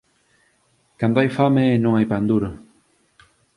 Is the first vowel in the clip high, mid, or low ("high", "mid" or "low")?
low